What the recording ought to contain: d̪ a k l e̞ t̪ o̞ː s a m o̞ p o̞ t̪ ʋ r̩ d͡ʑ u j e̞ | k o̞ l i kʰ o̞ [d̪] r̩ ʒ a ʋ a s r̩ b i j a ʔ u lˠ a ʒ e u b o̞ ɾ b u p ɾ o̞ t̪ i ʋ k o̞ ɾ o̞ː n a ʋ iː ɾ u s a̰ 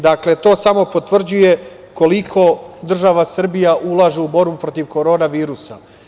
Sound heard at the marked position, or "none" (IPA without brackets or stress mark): d̪